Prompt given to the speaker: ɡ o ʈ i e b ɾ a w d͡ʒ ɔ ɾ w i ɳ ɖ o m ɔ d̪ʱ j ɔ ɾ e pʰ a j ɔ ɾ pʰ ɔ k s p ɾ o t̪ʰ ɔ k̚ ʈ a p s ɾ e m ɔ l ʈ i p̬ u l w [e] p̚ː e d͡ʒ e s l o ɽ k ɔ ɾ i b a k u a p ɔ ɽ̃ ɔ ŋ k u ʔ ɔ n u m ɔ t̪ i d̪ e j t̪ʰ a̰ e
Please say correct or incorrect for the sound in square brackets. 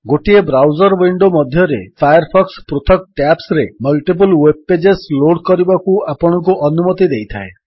correct